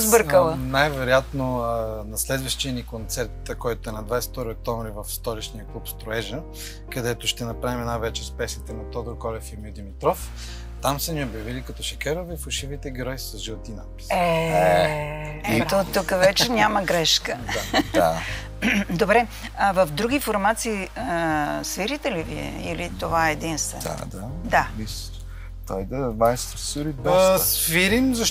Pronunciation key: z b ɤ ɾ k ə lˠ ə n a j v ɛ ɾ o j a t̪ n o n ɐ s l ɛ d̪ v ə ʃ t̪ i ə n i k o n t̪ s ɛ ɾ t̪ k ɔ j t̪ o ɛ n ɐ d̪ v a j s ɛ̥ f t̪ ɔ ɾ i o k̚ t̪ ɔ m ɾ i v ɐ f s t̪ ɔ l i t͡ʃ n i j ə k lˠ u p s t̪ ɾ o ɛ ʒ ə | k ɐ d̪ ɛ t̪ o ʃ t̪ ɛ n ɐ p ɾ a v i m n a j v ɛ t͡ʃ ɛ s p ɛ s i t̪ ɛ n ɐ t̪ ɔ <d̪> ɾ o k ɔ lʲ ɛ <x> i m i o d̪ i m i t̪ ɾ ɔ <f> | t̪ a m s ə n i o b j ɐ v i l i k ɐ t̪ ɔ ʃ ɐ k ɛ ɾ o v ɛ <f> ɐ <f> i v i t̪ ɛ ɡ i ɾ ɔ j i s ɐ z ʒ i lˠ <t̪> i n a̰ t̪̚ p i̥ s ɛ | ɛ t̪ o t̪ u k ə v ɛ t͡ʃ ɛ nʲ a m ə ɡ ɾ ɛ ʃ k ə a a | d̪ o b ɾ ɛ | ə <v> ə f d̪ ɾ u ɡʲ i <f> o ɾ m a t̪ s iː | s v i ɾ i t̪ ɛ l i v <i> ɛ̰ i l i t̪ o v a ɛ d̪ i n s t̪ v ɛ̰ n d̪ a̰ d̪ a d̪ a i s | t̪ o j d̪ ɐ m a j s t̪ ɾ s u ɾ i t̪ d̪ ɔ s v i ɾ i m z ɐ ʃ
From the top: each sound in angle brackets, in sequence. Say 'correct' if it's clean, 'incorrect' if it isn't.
correct, incorrect: f, correct, correct, incorrect: ʃ, correct, correct, correct, correct

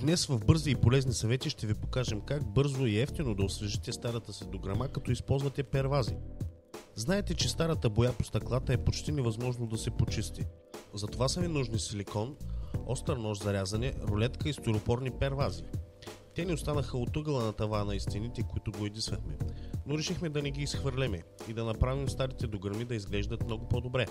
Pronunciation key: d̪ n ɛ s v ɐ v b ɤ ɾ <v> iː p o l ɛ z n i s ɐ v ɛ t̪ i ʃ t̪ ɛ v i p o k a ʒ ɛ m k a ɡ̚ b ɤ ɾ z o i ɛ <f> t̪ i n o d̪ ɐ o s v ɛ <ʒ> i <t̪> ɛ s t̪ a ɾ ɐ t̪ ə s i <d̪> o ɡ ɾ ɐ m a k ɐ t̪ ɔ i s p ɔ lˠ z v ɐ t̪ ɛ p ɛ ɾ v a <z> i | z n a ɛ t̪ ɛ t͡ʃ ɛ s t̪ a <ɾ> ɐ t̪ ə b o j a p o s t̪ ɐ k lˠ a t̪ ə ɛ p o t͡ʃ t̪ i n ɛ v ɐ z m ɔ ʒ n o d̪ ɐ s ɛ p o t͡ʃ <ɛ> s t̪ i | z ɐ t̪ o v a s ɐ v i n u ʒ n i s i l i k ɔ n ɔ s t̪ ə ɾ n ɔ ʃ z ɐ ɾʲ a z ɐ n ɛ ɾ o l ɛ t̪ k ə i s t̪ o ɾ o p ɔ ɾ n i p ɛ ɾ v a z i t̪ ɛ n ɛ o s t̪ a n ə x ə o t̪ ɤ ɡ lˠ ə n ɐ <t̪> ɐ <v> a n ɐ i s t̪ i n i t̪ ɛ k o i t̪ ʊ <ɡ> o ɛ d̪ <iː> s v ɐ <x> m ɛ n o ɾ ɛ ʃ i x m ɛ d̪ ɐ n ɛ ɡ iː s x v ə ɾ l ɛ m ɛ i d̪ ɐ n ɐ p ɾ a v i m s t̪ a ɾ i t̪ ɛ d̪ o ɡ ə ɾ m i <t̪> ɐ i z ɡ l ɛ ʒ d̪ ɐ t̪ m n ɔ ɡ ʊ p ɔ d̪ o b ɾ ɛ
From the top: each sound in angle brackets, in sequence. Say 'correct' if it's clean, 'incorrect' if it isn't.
incorrect: z, correct, correct, correct, correct, correct, correct, incorrect: i, correct, correct, correct, incorrect: i, correct, incorrect: d̪

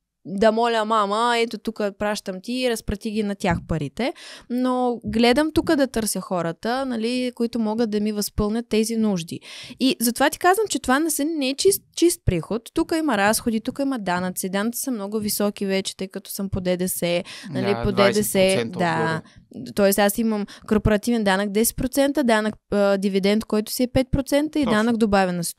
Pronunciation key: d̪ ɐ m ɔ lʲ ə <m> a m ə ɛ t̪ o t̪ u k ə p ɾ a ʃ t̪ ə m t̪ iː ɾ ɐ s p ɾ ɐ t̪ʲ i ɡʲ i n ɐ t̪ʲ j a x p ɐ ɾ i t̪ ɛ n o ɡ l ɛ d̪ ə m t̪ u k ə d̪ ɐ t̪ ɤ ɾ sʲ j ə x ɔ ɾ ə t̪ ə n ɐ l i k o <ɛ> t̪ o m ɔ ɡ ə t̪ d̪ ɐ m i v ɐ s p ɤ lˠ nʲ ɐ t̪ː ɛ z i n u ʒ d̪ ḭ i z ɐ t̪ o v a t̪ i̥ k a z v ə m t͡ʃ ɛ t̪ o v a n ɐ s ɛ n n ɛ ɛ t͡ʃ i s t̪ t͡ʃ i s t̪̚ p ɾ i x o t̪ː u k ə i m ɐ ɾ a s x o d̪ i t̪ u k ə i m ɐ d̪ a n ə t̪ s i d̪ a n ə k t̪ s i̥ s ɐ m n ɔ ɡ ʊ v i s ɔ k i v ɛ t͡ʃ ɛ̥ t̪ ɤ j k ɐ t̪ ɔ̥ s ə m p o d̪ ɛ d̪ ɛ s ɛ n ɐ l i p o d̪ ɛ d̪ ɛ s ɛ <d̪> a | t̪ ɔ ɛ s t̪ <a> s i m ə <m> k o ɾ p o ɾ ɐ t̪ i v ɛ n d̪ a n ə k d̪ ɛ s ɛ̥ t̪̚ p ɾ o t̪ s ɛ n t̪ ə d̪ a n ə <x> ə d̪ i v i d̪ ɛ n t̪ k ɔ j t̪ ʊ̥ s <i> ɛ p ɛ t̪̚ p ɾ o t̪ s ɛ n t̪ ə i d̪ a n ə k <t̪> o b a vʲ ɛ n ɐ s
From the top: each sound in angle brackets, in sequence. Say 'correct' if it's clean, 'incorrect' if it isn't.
correct, incorrect: i, correct, correct, correct, incorrect: k, correct, incorrect: d̪

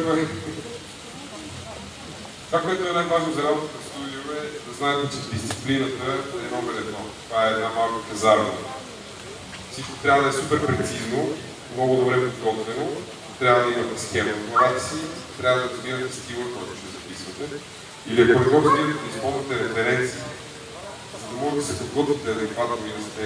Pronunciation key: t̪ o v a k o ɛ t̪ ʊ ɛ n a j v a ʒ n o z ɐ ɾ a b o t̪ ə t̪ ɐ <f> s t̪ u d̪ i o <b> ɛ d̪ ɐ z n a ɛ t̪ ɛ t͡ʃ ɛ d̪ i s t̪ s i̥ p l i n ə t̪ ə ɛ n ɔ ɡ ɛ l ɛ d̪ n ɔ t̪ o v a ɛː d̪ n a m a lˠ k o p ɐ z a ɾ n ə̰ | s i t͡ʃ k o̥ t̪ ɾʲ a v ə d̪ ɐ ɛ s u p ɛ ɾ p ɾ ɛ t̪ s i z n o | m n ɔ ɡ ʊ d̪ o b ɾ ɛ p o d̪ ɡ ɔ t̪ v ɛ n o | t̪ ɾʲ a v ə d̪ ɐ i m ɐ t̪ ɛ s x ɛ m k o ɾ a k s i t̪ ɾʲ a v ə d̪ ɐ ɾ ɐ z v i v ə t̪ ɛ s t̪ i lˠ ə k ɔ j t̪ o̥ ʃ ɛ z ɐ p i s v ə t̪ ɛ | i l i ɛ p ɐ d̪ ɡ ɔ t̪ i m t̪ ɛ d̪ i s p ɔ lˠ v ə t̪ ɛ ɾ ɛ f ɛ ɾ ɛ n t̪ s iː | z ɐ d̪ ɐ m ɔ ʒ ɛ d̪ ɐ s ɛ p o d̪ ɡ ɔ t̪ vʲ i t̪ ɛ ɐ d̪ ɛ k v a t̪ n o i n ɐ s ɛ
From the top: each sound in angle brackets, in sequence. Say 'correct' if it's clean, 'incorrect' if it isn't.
correct, incorrect: v

